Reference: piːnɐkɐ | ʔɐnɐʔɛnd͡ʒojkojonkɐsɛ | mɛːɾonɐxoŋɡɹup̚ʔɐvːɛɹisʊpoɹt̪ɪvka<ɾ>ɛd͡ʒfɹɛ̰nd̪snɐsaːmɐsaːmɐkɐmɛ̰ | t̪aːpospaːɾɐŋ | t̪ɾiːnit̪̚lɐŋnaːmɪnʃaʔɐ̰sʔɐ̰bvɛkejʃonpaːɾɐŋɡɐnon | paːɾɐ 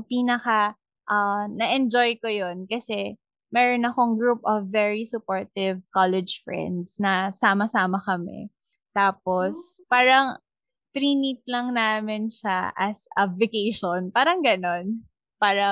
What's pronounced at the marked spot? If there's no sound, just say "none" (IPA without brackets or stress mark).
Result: l